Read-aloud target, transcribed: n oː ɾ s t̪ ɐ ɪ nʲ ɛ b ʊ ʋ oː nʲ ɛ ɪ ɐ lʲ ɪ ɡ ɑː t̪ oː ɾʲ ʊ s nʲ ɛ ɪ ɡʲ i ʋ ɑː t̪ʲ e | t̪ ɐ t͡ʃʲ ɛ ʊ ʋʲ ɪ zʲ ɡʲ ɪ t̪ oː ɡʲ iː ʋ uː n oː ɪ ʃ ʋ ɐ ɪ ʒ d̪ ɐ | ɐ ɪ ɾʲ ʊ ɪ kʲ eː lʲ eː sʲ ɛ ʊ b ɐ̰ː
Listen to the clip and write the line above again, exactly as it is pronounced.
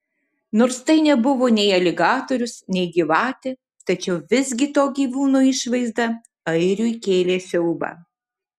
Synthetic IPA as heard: n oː ɾ s t̪ ɐ ɪ nʲ ɛ b ʊ ʋ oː nʲ ɛ ɪ ɐ lʲ ɪ ɡ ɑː t̪ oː ɾʲ ʊ s nʲ ɛ ɪ ɡʲ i ʋ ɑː t̪ʲ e | t̪ ɐ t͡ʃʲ ɛ ʊ ʋʲ ɪ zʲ ɡʲ ɪ t̪ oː ɡʲ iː ʋ uː n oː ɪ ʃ ʋ ɐ ɪ z d̪ ɐ | ɐ ɪ ɾʲ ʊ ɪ kʲ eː lʲ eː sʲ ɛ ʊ b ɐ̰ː